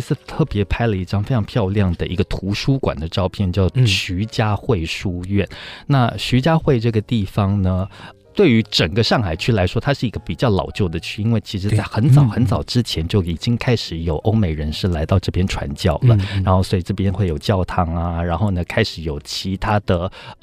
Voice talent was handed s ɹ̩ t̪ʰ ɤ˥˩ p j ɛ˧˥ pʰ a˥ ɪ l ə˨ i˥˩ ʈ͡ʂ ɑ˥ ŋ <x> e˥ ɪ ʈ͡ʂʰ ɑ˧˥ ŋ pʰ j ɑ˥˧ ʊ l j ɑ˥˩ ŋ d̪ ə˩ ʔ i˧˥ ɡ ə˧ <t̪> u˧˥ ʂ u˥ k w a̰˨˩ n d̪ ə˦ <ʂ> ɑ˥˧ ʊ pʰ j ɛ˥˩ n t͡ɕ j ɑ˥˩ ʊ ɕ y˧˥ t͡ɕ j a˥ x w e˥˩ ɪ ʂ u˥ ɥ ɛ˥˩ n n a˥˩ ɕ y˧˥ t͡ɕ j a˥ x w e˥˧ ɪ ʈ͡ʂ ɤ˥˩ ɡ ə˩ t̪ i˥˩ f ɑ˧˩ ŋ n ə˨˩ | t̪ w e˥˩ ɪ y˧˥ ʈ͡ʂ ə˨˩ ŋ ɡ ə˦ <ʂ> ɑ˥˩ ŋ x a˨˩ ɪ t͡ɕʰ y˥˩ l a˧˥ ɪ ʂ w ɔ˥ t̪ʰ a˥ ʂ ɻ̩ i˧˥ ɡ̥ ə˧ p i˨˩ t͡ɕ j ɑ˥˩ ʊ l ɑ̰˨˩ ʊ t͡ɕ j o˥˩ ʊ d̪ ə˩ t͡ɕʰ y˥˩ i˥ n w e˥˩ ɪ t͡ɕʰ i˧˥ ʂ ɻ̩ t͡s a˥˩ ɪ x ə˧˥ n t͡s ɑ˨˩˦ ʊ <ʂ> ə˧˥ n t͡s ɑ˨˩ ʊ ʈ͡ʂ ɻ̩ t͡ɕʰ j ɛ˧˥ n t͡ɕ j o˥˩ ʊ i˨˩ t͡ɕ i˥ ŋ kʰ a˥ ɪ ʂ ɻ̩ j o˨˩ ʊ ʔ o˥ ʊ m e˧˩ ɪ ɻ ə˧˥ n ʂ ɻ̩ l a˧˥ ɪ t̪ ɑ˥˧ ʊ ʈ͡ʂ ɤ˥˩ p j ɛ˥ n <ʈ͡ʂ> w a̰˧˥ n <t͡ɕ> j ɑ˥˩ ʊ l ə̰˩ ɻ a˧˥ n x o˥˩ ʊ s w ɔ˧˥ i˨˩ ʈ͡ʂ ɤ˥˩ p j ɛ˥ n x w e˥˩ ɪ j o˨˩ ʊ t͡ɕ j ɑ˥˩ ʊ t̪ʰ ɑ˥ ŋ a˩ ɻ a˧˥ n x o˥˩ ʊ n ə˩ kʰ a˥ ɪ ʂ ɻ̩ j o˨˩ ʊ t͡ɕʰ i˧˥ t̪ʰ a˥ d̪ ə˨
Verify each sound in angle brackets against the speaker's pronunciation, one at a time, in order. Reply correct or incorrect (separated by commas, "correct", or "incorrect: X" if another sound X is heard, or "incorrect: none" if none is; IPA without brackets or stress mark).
incorrect: f, incorrect: t̪ʰ, incorrect: ʈ͡ʂ, correct, incorrect: x, incorrect: ʈ͡ʂʰ, correct